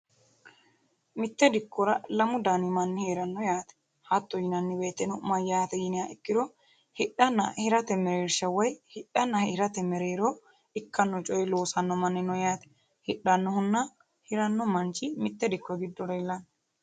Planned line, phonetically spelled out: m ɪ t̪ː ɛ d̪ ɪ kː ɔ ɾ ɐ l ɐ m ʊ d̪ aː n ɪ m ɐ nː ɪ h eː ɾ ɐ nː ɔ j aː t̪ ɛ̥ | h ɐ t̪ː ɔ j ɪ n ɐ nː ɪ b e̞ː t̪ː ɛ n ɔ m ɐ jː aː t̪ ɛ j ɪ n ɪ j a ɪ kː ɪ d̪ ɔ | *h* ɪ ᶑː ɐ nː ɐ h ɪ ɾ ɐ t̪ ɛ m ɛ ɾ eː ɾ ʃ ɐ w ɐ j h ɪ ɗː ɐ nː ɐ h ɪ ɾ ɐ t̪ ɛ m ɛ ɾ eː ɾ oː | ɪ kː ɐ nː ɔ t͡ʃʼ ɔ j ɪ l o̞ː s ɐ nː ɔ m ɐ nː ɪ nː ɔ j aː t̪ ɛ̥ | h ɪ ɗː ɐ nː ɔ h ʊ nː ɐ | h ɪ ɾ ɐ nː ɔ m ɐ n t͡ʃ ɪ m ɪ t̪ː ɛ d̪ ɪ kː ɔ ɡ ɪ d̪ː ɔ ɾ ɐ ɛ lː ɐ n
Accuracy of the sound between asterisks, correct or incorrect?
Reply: correct